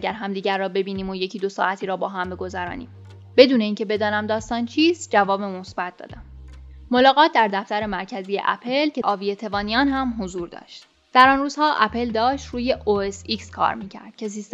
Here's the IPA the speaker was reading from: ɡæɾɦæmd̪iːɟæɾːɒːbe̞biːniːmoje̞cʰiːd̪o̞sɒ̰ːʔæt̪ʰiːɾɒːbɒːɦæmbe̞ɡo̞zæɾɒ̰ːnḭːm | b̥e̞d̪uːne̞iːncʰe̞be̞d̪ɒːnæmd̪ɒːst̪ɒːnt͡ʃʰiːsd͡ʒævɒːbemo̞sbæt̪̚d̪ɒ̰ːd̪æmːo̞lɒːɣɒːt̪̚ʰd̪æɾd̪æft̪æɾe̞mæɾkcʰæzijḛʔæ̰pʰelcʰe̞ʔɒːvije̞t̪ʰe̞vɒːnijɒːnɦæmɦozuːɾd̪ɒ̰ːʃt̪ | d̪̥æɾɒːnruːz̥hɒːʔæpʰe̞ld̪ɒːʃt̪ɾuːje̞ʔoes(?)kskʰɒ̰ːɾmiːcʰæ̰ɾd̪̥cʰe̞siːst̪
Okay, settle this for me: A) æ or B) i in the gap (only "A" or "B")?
B